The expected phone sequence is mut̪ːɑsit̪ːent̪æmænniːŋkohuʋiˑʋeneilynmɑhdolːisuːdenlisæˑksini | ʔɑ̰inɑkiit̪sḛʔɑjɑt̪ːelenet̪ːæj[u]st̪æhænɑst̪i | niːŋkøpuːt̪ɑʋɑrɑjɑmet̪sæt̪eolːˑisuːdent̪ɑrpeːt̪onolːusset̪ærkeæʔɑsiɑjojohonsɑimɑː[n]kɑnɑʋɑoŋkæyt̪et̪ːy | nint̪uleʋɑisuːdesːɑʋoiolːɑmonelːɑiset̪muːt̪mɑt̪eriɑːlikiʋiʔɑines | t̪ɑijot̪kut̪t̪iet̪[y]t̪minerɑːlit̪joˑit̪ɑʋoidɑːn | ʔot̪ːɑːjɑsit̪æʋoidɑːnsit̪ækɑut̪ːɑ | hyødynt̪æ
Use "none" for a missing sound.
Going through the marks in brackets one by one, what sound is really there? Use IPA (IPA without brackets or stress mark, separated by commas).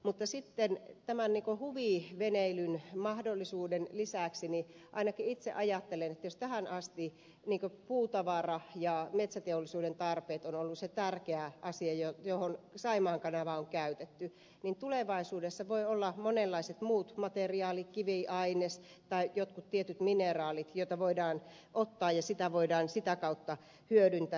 o, ŋ, y